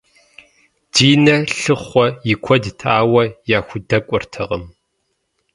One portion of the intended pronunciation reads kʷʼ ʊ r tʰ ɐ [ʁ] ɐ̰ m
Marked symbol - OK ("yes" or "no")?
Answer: yes